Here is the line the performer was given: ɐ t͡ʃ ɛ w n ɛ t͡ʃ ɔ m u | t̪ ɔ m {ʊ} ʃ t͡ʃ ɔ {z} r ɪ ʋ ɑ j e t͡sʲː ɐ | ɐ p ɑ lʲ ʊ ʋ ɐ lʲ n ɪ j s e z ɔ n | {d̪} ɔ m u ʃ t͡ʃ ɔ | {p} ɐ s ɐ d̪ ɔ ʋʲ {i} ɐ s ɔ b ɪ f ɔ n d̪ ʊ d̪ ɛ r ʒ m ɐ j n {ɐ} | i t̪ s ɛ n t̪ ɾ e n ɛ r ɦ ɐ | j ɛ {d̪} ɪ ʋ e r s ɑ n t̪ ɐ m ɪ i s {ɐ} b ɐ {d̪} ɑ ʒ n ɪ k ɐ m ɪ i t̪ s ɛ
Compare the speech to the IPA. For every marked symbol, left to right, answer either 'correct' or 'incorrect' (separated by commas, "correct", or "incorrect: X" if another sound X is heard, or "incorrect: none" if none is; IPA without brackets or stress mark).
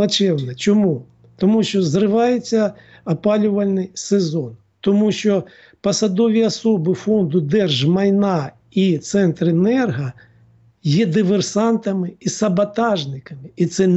incorrect: u, correct, incorrect: t̪, correct, correct, incorrect: ɑ, correct, correct, incorrect: t̪